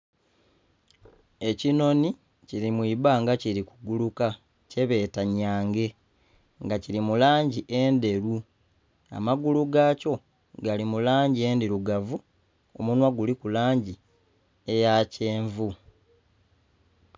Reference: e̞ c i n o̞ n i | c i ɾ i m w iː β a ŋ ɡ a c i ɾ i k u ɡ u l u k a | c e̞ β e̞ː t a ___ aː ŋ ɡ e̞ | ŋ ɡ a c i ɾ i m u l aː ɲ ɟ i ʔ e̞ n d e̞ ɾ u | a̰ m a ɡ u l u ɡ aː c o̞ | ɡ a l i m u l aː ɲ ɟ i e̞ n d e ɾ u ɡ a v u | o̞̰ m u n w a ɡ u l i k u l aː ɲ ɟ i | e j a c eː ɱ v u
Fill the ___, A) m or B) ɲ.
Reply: B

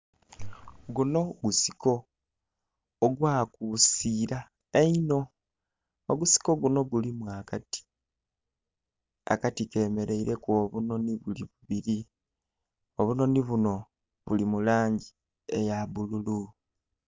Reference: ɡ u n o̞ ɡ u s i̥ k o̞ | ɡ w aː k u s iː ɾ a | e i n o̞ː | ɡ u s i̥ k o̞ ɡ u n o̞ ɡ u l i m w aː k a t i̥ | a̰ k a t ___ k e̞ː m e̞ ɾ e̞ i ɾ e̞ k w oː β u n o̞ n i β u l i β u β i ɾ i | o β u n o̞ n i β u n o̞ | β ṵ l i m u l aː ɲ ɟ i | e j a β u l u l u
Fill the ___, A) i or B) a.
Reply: A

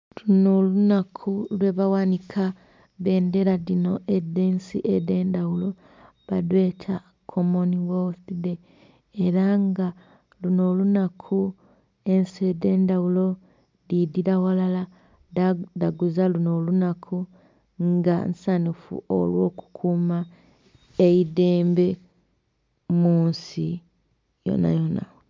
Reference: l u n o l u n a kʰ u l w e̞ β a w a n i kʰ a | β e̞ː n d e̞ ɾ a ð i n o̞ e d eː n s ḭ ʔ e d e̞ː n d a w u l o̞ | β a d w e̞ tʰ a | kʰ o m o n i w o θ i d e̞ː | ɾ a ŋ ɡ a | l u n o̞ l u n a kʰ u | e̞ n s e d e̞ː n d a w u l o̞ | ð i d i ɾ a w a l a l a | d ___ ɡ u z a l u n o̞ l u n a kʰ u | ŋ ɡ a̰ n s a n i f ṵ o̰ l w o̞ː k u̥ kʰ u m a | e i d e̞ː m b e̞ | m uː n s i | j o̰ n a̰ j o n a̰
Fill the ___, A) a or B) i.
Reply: A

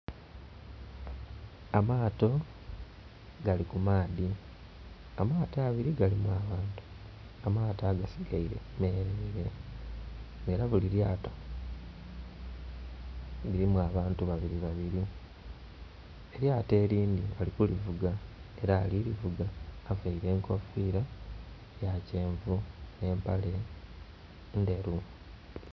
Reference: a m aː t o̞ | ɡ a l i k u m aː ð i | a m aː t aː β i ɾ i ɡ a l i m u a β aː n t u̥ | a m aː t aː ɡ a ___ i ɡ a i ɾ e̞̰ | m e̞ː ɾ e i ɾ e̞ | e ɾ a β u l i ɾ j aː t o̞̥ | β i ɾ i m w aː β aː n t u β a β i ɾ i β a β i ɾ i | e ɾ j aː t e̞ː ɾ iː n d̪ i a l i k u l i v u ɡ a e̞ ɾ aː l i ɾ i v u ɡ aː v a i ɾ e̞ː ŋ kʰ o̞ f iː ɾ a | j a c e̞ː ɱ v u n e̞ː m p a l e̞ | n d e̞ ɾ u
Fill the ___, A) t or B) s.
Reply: B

